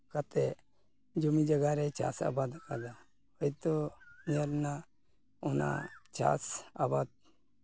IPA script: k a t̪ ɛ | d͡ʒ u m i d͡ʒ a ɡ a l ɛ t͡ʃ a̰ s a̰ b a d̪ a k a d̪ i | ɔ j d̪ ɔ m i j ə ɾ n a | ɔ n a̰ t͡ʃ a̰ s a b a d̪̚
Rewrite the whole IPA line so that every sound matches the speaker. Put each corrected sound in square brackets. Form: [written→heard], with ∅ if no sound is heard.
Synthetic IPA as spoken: k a t̪ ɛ | d͡ʒ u m i d͡ʒ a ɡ a [l→ɾ] ɛ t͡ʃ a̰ s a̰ b a d̪ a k a d̪ [i→a] | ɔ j [d̪→t̪] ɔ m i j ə ɾ n a | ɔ n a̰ t͡ʃ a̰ s a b a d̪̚

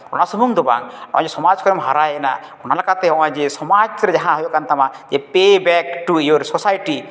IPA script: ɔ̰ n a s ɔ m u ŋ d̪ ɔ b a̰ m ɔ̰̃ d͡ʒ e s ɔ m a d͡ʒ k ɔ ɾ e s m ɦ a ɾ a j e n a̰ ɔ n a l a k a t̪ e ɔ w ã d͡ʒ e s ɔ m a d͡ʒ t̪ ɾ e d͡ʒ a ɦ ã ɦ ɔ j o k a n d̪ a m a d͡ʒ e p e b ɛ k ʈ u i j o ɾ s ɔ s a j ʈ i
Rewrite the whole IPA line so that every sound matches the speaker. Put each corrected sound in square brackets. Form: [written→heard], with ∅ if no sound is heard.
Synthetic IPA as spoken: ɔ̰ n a s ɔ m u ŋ d̪ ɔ b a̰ [m→ŋ] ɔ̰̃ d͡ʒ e s ɔ m a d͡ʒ k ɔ ɾ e [s→∅] m ɦ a ɾ a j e n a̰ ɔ n a l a k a t̪ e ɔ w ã d͡ʒ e s ɔ m a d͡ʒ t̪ ɾ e d͡ʒ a ɦ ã ɦ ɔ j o k a n [d̪→t̪] a m a d͡ʒ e p e b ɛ k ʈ u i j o ɾ s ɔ s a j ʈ i

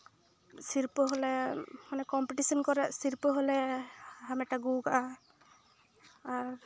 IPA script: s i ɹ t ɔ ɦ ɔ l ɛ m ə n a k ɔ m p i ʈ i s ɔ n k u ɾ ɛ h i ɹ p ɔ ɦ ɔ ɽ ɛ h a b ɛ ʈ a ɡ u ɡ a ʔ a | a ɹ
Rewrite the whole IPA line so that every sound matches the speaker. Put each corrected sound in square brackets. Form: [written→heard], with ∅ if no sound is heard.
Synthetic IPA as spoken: s i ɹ [t→p] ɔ ɦ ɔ l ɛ m [ə→a] n [a→ɛ] k ɔ m p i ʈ i s ɔ n k [u→ɔ] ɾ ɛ [h→s] i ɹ p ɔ ɦ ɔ [ɽ→l] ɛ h a [b→m] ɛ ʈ a ɡ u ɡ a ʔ a | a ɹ

